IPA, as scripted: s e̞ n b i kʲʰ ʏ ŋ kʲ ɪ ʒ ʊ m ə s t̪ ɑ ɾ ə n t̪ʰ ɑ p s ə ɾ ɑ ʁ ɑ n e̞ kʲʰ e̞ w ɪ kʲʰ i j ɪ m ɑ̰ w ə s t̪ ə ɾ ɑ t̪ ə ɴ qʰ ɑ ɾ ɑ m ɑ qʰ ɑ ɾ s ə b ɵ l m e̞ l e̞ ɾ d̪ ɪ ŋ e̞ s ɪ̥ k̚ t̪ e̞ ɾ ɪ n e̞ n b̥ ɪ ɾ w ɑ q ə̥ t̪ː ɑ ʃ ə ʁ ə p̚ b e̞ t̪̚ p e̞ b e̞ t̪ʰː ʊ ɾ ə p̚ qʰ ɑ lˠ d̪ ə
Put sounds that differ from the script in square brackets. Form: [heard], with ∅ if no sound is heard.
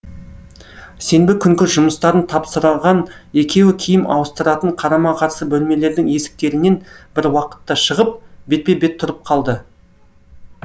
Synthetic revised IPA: s e̞ n b [ɪ] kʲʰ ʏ ŋ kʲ ɪ ʒ ʊ m ə s t̪ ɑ ɾ ə n t̪ʰ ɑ p s ə ɾ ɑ ʁ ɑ n e̞ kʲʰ e̞ w ɪ kʲʰ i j ɪ m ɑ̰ w ə s t̪ ə ɾ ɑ t̪ ə ɴ qʰ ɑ ɾ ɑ m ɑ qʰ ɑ ɾ s ə b ɵ l m e̞ l e̞ ɾ d̪ ɪ ŋ e̞ s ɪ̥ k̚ t̪ e̞ ɾ ɪ n e̞ n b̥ ɪ ɾ w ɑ q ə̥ t̪ː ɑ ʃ ə ʁ ə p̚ b e̞ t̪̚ p e̞ b e̞ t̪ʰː ʊ ɾ ə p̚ qʰ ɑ lˠ d̪ ə